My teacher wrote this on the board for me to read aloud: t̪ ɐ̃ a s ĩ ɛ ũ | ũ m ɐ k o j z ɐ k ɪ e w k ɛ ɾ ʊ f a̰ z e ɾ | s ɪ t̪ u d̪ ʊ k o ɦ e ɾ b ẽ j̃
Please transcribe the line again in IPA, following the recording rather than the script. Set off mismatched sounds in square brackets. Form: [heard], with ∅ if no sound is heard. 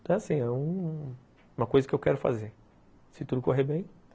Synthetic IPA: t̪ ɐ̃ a s ĩ ɛ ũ | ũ m ɐ k o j z ɐ k ɪ e w k ɛ ɾ ʊ f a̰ z e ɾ | s ɪ t̪ u d̪ ʊ k o ɦ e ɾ b ẽ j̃

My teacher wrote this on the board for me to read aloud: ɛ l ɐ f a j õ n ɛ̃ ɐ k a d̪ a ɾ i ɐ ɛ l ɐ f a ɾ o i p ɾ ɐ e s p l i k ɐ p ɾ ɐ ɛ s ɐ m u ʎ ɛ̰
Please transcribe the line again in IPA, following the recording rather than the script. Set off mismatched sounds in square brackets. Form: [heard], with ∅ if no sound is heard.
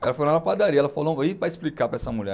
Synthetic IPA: ɛ l ɐ f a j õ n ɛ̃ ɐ [p] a d̪ a ɾ i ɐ ɛ l ɐ f a [l] o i p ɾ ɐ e s p l i k [a] p ɾ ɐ ɛ s ɐ m u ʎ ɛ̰

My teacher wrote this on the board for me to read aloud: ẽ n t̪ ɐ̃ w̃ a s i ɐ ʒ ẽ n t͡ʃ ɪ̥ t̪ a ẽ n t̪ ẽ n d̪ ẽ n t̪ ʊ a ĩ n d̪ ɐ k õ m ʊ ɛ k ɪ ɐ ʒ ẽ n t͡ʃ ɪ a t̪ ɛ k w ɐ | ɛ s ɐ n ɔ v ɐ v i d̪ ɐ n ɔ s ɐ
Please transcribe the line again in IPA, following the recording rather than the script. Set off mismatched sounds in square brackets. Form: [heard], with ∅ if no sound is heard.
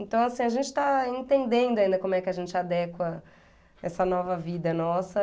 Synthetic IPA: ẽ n t̪ ɐ̃ w̃ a s [ĩ] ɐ ʒ ẽ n t͡ʃ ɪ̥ t̪ a ẽ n t̪ ẽ n d̪ ẽ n [d̪] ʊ a ĩ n d̪ ɐ k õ m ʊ ɛ k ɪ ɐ ʒ ẽ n t͡ʃ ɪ a [d̪] ɛ k w ɐ | ɛ s ɐ n ɔ v ɐ v i d̪ ɐ n ɔ s ɐ

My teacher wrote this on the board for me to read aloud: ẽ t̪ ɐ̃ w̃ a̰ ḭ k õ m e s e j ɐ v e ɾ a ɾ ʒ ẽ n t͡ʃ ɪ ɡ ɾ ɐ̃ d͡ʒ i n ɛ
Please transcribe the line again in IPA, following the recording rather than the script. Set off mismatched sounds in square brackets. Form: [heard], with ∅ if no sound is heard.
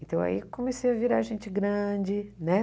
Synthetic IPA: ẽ t̪ ɐ̃ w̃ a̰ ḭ k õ m e s e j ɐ v [i] ɾ a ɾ ʒ ẽ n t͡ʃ ɪ ɡ ɾ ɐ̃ d͡ʒ [ɪ] n ɛ

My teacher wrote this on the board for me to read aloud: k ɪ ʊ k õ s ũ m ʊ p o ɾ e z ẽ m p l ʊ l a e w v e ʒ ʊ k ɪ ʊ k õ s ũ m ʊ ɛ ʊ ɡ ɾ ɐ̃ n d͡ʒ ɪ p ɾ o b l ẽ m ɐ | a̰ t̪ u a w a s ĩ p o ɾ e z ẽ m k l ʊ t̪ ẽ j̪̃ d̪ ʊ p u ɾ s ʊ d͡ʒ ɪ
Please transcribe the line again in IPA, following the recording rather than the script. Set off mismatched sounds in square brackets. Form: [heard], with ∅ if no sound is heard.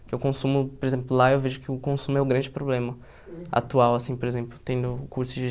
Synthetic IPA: k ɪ ʊ k õ s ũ m ʊ p o ɾ e z ẽ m p l ʊ l a e w v e ʒ ʊ k ɪ ʊ k õ s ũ m ʊ ɛ ʊ ɡ ɾ ɐ̃ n d͡ʒ ɪ p ɾ o b l ẽ m ɐ | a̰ t̪ u a w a s ĩ p o ɾ e z ẽ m [p] l ʊ t̪ ẽ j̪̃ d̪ ʊ [k] u ɾ s ʊ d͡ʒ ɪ

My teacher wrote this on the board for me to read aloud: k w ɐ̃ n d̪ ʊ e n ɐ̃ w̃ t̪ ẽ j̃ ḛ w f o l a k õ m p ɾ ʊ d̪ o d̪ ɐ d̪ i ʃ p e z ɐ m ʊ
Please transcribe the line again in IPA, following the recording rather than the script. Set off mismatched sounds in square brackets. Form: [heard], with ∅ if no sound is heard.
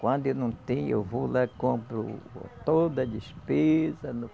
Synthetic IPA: k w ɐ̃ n d̪ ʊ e n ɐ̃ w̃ t̪ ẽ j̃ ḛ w [v] o l a k õ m p ɾ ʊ [t̪] o d̪ ɐ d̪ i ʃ p e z ɐ [n] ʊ

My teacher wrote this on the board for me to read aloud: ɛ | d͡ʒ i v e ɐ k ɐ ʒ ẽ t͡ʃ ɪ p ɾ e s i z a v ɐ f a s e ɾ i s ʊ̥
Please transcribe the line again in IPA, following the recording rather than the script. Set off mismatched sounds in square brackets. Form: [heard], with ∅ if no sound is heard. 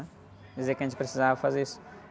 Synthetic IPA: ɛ | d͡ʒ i [z] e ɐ k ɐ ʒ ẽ t͡ʃ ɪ p ɾ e s i z a v ɐ f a [z] e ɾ i s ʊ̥

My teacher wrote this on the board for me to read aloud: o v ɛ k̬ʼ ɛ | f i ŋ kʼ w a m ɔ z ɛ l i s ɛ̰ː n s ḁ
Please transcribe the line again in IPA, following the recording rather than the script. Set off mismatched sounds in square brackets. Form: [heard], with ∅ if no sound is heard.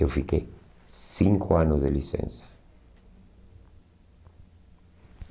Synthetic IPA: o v [i] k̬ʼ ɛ | [s] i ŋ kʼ w a [n] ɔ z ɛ l i s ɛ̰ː n s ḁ

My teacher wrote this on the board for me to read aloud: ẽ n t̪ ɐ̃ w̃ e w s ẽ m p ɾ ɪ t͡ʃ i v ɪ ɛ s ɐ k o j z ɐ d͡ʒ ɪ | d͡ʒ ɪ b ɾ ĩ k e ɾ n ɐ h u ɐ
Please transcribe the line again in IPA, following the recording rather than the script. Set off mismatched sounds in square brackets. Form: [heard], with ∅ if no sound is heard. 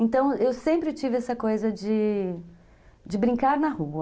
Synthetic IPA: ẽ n t̪ ɐ̃ w̃ e w s ẽ m p ɾ ɪ t͡ʃ i v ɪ ɛ s ɐ k o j z ɐ d͡ʒ ɪ | d͡ʒ ɪ b ɾ ĩ k [a] ɾ n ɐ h u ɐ

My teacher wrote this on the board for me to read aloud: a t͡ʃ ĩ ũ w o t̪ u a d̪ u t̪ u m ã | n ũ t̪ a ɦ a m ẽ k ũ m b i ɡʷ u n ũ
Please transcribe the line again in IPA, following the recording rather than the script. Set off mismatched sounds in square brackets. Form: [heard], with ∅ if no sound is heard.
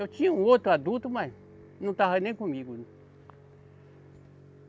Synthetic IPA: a t͡ʃ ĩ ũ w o t̪ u a d̪ u t̪ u m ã | n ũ t̪ a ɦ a [n] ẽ k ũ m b i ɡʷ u n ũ

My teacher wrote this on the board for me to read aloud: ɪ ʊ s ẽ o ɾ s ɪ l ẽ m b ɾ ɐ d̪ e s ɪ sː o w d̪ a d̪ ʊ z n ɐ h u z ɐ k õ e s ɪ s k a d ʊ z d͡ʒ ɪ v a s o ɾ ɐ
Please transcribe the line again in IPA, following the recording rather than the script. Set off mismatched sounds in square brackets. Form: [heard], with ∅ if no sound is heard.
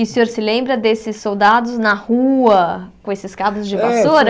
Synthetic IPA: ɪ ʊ s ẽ o ɾ s ɪ l ẽ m b ɾ ɐ d̪ e s ɪ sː o w d̪ a d̪ ʊ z n ɐ h u [∅] ɐ k õ e s ɪ s k a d ʊ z d͡ʒ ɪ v a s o ɾ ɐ

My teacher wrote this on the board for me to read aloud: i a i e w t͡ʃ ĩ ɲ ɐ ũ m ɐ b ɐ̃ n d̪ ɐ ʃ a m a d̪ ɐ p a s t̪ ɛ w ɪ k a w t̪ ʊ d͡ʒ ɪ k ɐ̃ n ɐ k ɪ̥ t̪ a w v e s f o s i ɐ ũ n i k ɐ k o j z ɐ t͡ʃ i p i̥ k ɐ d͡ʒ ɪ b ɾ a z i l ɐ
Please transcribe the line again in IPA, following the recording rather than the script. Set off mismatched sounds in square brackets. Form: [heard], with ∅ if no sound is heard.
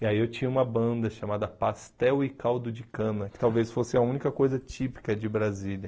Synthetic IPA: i a i e w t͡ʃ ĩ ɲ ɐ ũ m ɐ b ɐ̃ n d̪ ɐ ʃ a m a d̪ ɐ p a s t̪ ɛ w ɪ k a w [d̪] ʊ d͡ʒ ɪ k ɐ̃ n ɐ k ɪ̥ t̪ a w v e s f o s [ɪ] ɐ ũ n i k ɐ k o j z ɐ t͡ʃ i p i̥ k ɐ d͡ʒ ɪ b ɾ a z i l ɐ

